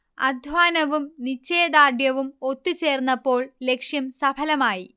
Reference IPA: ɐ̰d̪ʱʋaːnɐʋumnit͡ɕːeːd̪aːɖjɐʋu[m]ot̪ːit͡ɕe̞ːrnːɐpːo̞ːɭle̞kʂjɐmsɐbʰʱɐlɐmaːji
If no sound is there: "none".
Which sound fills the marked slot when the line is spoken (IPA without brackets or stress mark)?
m